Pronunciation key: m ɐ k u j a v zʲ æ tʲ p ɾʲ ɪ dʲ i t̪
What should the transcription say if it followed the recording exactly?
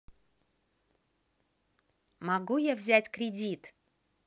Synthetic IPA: m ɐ ɡ u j a v zʲ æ tʲ k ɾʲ ɪ dʲ i t̪

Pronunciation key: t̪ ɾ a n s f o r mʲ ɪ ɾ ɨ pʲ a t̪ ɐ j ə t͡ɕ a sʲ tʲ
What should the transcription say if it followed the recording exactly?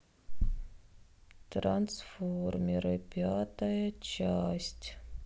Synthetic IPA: t̪ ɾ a n s f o r mʲ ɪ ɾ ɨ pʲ a t̪ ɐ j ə t͡ɕ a sʲ tʲ

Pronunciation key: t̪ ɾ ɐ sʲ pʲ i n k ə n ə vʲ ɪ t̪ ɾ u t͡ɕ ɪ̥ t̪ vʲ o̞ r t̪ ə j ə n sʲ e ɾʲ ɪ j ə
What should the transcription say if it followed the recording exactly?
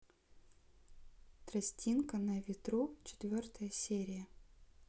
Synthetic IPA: t̪ ɾ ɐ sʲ tʲ i n k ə n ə vʲ ɪ t̪ ɾ u t͡ɕ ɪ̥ t̪ vʲ o̞ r t̪ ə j ə sʲ e ɾʲ ɪ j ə

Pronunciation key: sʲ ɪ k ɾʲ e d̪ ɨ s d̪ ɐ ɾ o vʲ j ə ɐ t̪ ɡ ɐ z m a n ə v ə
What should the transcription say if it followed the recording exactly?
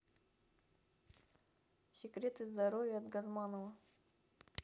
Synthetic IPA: sʲ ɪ k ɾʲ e t̪ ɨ z d̪ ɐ ɾ o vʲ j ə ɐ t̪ ɡ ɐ z m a n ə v ə

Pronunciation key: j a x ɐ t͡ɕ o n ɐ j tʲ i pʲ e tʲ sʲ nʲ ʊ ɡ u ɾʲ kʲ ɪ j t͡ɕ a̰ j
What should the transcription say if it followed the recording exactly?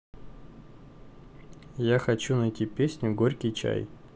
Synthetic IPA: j a x ɐ t͡ɕ u n ɐ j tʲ i pʲ e sʲ nʲ ʊ ɡ o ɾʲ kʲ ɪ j t͡ɕ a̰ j

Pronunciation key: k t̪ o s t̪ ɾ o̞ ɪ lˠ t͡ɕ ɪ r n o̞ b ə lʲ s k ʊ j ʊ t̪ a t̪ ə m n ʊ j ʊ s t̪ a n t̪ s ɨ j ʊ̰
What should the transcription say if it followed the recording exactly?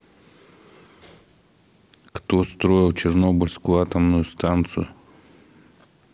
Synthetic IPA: k t̪ o s t̪ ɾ o̞ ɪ lˠ t͡ɕ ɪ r n o̞ b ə lʲ s k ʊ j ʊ a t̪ ə m n ʊ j ʊ s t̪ a n t̪ s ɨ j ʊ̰

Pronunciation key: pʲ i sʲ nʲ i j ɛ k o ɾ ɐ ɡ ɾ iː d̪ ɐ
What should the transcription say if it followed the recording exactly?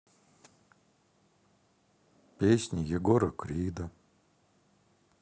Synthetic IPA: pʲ e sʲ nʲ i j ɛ ɡ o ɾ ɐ k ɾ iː d̪ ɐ

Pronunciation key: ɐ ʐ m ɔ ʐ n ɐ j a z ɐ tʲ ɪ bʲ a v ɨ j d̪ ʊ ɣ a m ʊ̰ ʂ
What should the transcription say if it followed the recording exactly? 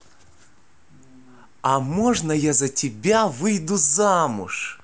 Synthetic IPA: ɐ m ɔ ʐ n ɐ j a z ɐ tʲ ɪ bʲ a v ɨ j d̪ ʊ z a m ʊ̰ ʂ

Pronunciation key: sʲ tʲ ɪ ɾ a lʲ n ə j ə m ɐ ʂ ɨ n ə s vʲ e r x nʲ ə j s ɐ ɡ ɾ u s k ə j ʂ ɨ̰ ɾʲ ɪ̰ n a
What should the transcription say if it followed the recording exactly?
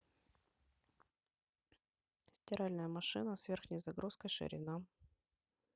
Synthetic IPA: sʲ tʲ ɪ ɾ a lʲ n ə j ə m ɐ ʂ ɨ n ə s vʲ e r x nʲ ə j z ɐ ɡ ɾ u s k ə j ʂ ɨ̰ ɾʲ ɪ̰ n a

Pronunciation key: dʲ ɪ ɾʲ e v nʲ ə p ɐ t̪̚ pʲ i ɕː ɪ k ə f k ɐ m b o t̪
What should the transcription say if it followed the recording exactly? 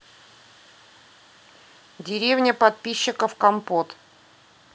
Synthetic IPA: dʲ ɪ ɾʲ e v nʲ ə p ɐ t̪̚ pʲ i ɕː ɪ k ə f k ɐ m p o t̪

